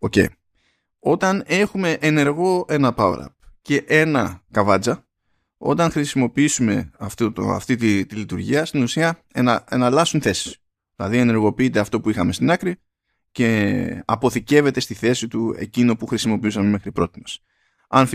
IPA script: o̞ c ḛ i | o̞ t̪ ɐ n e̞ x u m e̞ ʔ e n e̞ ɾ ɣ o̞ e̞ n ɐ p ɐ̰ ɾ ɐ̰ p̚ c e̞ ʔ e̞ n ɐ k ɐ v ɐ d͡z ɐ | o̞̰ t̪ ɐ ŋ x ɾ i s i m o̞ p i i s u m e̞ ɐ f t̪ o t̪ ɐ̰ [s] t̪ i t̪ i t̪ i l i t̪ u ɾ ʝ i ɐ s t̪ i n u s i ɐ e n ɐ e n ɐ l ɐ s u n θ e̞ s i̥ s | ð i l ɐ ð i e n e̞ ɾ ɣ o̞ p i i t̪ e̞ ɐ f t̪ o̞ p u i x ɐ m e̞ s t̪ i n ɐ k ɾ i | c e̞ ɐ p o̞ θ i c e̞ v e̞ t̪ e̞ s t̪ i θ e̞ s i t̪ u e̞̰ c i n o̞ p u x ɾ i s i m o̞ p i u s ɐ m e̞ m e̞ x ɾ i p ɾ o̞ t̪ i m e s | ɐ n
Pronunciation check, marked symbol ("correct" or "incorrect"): incorrect